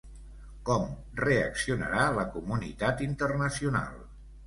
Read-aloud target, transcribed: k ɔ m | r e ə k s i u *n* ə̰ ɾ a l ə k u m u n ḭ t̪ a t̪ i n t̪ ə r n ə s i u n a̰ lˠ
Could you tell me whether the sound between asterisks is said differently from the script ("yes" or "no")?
no